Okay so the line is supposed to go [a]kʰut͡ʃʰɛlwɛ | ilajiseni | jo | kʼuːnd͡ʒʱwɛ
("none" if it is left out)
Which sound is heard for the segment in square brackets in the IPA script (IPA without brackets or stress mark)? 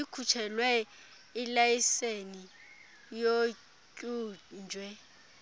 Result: i